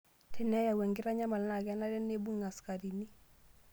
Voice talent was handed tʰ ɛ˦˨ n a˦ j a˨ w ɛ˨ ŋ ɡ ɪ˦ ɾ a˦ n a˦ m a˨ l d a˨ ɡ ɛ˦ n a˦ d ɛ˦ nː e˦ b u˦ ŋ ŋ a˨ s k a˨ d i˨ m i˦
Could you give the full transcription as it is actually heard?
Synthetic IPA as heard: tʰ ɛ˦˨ n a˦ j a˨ w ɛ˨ ŋ ɡ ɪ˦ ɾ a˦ ɲ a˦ m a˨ l n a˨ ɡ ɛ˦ n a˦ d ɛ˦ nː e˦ b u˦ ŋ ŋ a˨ s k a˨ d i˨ n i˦